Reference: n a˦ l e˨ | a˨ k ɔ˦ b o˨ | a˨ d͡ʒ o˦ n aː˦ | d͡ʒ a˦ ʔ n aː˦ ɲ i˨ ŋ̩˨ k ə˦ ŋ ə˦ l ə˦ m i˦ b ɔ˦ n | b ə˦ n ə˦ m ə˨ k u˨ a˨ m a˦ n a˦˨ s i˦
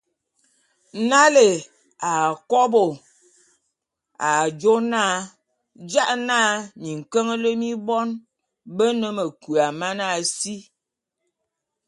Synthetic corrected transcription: n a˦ l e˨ | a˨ k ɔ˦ b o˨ | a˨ d͡ʒ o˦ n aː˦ | d͡ʒ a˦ ʔ n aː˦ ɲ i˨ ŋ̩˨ k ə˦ ŋ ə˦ l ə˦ m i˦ b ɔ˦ n | b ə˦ n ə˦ m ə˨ k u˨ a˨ m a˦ n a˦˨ s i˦